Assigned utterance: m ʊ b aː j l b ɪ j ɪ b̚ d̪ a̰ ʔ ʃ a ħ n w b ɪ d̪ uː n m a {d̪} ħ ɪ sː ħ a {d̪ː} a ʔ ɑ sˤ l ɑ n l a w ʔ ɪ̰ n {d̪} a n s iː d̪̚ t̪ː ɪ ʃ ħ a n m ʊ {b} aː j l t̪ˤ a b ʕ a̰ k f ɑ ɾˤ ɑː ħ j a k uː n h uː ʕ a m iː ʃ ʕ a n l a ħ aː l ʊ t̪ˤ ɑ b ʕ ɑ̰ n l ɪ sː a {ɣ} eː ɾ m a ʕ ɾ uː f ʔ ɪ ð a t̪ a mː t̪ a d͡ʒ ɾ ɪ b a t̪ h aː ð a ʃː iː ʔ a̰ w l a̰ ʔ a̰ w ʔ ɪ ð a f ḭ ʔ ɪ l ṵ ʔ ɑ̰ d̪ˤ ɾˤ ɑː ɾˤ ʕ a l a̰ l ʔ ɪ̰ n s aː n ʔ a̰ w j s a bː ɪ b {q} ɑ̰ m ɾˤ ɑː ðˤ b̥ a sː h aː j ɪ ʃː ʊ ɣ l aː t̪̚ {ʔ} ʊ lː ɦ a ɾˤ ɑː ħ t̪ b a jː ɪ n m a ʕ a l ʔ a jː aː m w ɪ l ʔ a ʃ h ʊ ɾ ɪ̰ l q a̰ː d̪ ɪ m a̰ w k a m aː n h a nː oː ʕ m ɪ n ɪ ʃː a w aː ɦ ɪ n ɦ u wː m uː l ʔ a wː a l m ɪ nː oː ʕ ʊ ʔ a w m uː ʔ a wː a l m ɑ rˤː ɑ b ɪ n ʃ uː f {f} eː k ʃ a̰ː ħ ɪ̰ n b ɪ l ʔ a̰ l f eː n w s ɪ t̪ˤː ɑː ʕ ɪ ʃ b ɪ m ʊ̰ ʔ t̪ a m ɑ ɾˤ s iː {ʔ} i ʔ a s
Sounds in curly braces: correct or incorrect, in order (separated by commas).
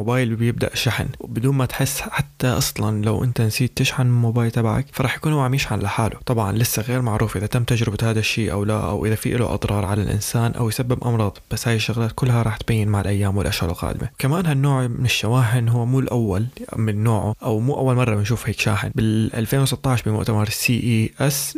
incorrect, incorrect, incorrect, correct, correct, incorrect, incorrect, incorrect, correct